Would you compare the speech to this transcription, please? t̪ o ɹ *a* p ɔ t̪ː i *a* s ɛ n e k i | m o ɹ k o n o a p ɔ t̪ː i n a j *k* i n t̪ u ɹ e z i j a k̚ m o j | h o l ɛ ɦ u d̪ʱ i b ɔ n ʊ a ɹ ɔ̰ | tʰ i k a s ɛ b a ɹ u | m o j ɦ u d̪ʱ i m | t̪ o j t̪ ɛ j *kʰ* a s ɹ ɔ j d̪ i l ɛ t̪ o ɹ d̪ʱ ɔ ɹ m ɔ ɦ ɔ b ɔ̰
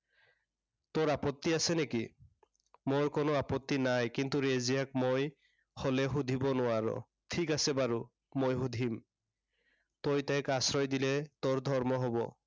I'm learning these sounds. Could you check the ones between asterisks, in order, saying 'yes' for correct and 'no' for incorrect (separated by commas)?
yes, yes, yes, no